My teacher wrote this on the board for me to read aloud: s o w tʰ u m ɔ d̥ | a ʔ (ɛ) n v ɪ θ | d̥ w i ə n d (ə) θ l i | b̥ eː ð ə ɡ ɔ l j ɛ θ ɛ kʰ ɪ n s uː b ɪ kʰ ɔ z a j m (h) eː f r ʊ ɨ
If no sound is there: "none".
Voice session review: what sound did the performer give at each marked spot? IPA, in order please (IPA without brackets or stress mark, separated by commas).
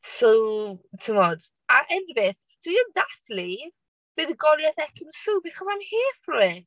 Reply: ɛ, a, h